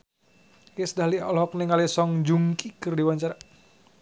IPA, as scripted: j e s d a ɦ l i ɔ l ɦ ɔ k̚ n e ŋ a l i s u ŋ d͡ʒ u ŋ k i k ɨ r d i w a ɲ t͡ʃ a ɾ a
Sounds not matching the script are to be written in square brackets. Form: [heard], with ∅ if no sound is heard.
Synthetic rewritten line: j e s d a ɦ l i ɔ l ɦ ɔ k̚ n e ŋ a l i s [ɔ] ŋ d͡ʒ u ŋ k i k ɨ r d i w a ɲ t͡ʃ a ɾ a